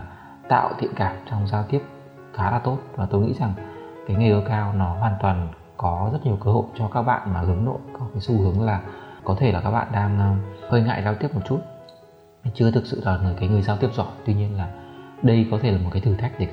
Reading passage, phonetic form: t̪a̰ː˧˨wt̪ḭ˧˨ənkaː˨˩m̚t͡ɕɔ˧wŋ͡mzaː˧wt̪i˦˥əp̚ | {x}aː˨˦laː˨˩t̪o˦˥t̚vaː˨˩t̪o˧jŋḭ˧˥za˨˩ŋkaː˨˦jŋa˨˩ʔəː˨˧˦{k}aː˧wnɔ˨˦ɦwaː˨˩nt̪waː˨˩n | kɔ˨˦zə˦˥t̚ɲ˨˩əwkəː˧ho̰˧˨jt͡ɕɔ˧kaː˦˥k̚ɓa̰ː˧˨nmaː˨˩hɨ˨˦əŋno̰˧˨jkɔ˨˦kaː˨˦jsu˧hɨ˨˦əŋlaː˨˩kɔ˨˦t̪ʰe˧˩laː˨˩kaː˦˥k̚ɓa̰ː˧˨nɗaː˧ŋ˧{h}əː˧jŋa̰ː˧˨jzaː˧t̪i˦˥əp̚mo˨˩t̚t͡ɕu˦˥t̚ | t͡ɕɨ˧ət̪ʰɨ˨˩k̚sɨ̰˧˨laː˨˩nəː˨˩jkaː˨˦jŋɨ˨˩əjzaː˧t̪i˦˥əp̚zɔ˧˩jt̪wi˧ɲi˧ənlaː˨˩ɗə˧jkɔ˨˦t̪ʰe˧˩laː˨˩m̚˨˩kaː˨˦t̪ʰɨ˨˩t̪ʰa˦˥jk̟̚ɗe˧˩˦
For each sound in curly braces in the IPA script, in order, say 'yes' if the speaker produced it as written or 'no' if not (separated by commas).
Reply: yes, yes, yes